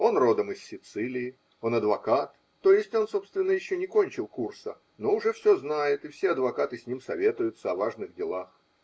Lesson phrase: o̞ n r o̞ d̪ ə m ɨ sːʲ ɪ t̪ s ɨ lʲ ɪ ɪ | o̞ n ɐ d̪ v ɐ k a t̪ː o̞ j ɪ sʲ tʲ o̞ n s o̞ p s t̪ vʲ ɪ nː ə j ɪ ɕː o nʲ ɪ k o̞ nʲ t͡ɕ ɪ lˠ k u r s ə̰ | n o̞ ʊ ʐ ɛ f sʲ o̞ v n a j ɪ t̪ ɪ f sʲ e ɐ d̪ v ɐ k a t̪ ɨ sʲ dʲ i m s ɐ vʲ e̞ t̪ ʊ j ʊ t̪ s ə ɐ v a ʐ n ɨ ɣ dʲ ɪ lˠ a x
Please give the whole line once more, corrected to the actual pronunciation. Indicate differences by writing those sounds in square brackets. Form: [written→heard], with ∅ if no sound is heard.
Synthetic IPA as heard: o̞ n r o̞ d̪ ə m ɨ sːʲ ɪ t̪ s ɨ lʲ ɪ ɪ | o̞ n ɐ d̪ v ɐ k a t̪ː o̞ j ɪ sʲ tʲ o̞ n s o̞ p s t̪ vʲ ɪ nː ə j ɪ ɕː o nʲ ɪ k o̞ nʲ t͡ɕ ɪ lˠ k u r s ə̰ | n o̞ ʊ ʐ ɛ f sʲ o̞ [v→z] n a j ɪ t̪ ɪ f sʲ e ɐ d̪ v ɐ k a t̪ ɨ sʲ [dʲ→nʲ] i m s ɐ vʲ e̞ t̪ ʊ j ʊ t̪ s ə ɐ v a ʐ n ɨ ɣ dʲ ɪ lˠ a x